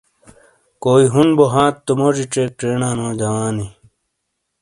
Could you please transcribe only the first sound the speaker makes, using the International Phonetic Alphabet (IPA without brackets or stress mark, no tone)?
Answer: k